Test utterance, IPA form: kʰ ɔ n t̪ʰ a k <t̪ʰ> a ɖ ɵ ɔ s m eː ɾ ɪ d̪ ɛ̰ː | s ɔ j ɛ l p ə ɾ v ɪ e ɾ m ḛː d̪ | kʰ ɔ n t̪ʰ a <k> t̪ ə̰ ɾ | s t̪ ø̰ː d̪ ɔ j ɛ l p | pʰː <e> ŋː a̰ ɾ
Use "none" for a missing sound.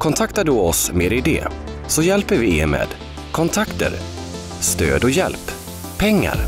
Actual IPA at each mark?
t̪, k, ɛ

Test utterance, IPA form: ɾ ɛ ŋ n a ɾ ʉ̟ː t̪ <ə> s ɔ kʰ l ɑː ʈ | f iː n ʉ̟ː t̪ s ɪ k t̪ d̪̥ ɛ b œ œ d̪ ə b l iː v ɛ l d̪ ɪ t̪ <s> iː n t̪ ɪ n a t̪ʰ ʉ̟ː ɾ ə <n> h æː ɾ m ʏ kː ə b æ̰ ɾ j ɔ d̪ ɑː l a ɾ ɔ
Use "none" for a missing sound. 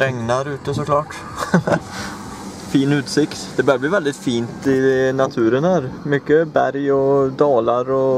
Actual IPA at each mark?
ə, f, n

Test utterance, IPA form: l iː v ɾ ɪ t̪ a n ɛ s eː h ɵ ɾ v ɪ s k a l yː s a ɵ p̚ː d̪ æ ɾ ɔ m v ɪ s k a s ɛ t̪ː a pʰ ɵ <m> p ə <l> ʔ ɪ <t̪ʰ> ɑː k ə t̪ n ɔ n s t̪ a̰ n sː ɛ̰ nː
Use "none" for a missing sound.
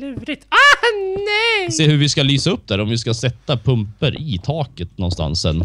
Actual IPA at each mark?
m, ɾ, t̪ʰ

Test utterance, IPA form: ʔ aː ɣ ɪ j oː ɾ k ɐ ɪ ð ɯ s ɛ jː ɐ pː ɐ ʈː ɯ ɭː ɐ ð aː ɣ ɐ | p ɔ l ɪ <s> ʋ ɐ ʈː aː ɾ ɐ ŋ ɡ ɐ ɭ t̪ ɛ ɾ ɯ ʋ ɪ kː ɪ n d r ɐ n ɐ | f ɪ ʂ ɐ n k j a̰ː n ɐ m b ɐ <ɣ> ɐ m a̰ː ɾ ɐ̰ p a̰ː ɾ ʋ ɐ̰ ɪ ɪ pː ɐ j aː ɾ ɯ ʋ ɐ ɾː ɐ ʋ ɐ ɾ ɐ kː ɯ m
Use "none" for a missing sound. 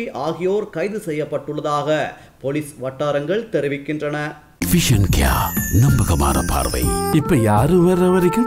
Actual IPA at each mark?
s, ɣ

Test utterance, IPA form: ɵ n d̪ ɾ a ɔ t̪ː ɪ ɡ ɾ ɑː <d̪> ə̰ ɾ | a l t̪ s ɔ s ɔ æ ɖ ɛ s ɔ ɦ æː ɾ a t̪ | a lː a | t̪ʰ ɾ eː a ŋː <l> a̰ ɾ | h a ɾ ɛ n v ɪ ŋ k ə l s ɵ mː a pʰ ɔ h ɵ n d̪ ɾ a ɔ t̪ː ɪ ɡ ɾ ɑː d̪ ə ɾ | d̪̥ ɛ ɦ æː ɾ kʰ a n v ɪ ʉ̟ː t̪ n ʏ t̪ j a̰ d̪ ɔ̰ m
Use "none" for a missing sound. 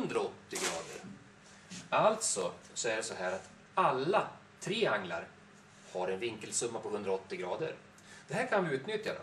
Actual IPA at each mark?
d̪, l

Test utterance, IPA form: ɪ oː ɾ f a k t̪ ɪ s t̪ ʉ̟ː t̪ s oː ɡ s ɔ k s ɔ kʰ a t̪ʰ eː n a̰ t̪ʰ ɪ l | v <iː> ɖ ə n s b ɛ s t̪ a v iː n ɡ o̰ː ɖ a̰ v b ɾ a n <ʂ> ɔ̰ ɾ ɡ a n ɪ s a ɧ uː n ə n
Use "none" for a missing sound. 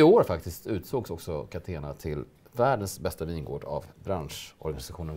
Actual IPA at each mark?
æː, ʂ

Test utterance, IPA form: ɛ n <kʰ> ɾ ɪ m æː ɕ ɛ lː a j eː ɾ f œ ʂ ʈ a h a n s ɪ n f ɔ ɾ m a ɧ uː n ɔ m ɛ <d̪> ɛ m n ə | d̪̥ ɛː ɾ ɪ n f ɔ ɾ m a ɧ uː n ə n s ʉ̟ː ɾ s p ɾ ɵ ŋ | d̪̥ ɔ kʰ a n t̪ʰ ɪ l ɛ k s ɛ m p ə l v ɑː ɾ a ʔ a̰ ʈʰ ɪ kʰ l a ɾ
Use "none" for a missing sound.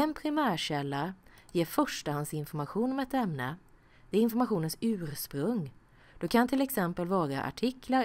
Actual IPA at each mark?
pʰ, t̪

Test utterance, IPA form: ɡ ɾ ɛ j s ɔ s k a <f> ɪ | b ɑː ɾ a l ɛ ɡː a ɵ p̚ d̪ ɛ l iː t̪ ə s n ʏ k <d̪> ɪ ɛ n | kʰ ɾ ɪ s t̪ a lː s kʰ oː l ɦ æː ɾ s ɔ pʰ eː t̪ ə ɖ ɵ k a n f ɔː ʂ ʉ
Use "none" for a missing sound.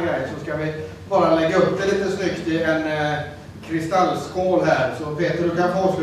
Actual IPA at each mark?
v, t̪

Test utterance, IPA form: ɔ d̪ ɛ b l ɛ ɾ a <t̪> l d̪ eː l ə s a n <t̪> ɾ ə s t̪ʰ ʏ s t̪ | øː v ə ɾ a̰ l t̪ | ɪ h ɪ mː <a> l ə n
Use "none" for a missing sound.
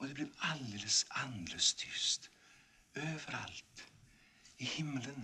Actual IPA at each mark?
none, d̪, ə

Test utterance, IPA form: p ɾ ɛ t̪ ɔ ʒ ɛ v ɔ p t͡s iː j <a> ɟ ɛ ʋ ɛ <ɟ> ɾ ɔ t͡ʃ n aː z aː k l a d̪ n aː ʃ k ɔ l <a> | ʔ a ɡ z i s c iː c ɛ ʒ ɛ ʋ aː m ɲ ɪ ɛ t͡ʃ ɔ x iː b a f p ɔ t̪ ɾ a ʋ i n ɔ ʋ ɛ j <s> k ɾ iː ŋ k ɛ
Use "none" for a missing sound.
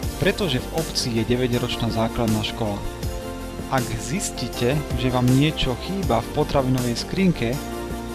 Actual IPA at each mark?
ɛ, ɟ, a, s

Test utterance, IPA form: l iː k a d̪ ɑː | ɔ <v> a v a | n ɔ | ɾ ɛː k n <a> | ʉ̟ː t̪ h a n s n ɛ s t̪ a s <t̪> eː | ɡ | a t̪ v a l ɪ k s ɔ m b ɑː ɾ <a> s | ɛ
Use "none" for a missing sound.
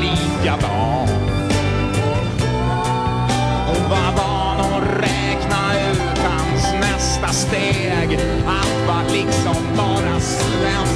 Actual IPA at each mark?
v, a, t̪, a

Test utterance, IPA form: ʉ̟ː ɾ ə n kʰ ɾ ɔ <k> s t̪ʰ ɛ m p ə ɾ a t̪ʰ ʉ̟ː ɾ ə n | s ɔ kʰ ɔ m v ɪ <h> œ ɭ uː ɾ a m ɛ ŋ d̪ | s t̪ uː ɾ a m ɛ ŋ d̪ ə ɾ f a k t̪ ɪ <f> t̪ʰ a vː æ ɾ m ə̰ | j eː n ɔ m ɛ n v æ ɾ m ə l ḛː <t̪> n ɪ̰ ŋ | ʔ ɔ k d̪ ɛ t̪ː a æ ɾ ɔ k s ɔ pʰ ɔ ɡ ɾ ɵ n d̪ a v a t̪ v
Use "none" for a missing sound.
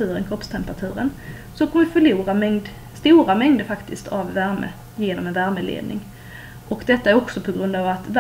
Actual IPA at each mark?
p, f, s, d̪

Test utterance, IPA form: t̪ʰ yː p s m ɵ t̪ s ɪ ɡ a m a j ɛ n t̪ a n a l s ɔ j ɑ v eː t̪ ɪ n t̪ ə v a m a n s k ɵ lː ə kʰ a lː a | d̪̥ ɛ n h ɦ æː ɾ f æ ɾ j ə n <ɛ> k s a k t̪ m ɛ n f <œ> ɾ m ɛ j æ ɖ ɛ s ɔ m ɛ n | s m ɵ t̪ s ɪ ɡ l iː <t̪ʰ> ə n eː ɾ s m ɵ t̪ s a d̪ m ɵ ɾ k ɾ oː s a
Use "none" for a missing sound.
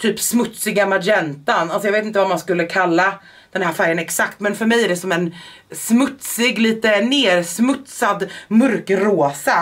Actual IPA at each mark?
ɛ, œ, t̪

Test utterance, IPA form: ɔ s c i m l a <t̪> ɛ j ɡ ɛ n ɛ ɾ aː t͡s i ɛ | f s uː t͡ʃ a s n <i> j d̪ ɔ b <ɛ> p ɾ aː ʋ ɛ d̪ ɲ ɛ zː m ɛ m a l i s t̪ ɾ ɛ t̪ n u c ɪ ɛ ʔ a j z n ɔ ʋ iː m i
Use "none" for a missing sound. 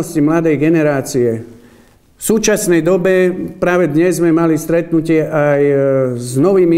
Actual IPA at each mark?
d̪, ɛ, ɛ

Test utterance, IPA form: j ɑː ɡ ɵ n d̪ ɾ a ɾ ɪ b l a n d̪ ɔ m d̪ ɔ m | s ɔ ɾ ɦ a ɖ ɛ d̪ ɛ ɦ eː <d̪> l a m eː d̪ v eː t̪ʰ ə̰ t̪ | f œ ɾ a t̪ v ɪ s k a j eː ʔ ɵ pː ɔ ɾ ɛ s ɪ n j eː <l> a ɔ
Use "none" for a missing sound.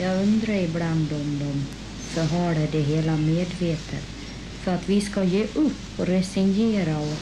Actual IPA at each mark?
none, ɾ

